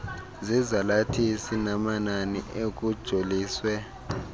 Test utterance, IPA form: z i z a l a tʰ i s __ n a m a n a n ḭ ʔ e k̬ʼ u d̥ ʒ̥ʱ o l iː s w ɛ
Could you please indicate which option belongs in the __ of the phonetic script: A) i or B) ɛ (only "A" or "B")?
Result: A